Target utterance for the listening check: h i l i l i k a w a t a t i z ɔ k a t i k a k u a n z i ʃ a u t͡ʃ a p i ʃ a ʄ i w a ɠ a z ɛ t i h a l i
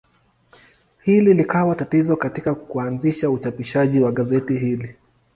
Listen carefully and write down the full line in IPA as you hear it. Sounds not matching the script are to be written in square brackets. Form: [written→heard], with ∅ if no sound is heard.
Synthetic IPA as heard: h i l i l i k a w a t a t i z ɔ k a t i k a k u a n z i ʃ a u t͡ʃ a p i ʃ a ʄ i w a ɠ a z ɛ t i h [a→i] l i